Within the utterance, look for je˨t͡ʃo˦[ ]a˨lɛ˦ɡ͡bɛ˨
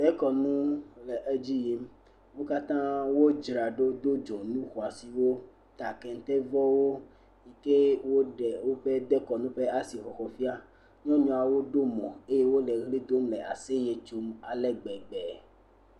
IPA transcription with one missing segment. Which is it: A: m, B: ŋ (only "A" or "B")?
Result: A